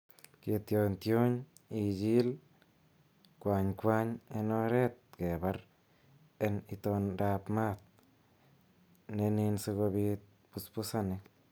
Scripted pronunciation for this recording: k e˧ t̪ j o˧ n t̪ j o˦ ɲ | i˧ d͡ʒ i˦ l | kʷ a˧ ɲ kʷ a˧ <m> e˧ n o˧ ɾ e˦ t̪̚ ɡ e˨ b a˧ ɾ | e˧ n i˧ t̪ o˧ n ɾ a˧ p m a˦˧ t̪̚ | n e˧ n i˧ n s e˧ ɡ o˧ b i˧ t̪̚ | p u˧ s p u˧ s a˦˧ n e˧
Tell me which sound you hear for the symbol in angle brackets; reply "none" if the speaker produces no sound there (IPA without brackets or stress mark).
ɲ